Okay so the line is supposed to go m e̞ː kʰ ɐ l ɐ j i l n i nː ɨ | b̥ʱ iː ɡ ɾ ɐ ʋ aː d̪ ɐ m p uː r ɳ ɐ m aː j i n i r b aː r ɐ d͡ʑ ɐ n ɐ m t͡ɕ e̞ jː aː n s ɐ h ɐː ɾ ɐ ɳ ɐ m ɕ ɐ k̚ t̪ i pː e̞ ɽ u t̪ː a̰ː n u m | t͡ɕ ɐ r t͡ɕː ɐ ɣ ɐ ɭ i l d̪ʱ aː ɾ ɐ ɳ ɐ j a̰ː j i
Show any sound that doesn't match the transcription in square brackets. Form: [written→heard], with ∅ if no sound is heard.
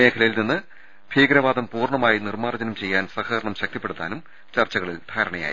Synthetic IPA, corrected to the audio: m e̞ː kʰ ɐ l ɐ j i l n i nː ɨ | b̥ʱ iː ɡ ɾ ɐ ʋ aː d̪ ɐ m p uː r ɳ ɐ m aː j i n i r [b→m] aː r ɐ d͡ʑ ɐ n ɐ m t͡ɕ e̞ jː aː n s ɐ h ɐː ɾ ɐ ɳ ɐ m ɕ ɐ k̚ t̪ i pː e̞ ɽ u t̪ː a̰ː n u m | t͡ɕ ɐ r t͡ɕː ɐ ɣ ɐ ɭ i l d̪ʱ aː ɾ ɐ ɳ ɐ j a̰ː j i

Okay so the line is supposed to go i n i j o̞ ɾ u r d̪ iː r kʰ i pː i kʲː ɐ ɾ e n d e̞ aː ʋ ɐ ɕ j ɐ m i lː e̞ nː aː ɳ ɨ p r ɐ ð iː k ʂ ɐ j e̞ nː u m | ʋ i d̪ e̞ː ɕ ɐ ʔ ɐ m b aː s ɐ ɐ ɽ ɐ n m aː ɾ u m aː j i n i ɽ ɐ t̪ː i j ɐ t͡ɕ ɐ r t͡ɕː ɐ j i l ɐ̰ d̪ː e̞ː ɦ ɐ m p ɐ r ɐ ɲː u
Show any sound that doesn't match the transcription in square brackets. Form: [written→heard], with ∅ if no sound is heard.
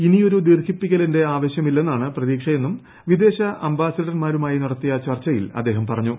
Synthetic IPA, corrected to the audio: i n i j o̞ ɾ u [r→∅] d̪ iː r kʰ i pː i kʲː ɐ [ɾ→l] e n d e̞ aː ʋ ɐ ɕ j ɐ m i lː e̞ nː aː ɳ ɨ p r ɐ ð iː k ʂ ɐ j e̞ nː u m | ʋ i d̪ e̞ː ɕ ɐ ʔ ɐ m b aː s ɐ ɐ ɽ ɐ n m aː ɾ u m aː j i n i ɽ ɐ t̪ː i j ɐ t͡ɕ ɐ r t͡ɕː ɐ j i l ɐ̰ d̪ː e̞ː ɦ ɐ m p ɐ r ɐ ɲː u

